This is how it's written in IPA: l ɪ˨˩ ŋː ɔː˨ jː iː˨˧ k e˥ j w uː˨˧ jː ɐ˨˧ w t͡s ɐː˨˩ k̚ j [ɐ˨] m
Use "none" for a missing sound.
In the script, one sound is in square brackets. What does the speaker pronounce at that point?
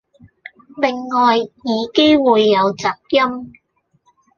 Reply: ɐ˥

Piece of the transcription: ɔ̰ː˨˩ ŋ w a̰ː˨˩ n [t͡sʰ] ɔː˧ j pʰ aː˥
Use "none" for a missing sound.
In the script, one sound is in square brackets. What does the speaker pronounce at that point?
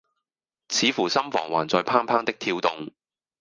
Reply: t͡s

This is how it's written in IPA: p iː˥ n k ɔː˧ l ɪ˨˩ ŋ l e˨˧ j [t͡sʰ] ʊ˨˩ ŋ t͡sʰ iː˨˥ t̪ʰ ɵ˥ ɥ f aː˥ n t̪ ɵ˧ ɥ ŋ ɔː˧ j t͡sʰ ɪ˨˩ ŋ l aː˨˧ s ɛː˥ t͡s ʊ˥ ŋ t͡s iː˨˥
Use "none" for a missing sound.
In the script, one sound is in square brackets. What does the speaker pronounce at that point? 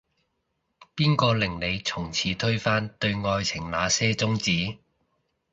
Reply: t͡sʰ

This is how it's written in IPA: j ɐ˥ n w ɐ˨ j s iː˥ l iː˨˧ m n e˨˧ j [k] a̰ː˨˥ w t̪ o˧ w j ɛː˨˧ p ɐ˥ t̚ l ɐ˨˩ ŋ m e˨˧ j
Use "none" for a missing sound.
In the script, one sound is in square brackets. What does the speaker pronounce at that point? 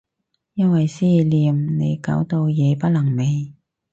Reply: k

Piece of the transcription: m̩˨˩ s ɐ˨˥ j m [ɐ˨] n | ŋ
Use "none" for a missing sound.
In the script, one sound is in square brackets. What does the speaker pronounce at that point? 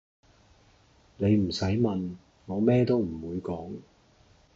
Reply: ɐ˨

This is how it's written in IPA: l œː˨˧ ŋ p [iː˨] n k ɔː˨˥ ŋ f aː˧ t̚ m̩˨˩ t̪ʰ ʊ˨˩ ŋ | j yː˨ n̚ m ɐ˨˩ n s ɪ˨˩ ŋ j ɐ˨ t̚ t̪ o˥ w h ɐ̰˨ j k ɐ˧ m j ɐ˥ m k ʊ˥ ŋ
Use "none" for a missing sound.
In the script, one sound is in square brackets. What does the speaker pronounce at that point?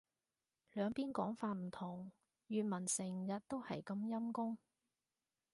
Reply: iː˥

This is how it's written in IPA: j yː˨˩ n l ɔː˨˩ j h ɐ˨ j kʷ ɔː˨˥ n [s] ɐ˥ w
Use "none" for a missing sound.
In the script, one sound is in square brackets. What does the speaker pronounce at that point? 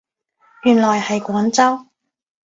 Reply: t͡s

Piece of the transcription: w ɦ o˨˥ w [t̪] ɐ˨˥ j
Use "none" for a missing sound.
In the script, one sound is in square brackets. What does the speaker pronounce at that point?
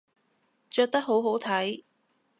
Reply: t̪ʰ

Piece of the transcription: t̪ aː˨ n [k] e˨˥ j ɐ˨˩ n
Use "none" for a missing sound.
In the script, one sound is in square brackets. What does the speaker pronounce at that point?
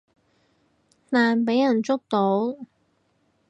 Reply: p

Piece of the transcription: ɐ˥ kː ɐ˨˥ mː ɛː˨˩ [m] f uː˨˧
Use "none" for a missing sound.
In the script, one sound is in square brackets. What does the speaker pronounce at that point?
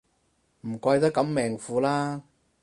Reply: ŋ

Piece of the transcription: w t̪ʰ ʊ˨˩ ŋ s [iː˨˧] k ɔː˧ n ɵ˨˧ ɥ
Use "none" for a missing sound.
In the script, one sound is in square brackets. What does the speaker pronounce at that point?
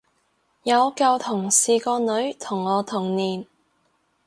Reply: iː˨˧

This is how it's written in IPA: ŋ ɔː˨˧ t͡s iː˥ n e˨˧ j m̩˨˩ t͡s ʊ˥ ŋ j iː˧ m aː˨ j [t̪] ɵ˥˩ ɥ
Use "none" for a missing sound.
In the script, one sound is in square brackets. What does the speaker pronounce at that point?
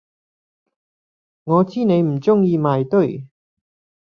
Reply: t̪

